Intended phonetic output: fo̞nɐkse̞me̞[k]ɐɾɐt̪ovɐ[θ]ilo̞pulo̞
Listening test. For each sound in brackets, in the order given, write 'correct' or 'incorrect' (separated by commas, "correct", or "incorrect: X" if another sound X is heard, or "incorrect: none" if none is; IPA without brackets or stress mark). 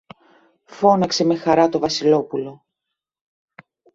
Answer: incorrect: x, incorrect: s